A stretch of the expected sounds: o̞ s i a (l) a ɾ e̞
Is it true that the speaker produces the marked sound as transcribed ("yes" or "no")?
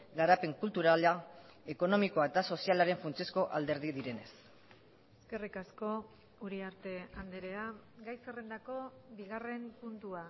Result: yes